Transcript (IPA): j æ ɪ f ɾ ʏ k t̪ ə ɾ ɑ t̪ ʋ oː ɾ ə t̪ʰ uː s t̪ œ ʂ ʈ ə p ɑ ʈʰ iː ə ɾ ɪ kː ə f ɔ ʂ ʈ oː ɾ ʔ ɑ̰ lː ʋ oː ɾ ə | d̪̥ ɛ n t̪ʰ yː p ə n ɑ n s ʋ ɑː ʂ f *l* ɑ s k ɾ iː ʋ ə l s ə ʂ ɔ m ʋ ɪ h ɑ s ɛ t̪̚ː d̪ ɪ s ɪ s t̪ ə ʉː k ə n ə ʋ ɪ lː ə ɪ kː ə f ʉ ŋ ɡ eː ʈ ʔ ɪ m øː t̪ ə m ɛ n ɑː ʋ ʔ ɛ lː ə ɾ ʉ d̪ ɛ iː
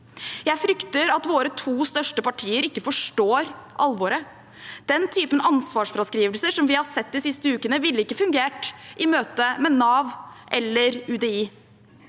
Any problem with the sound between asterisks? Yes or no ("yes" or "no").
yes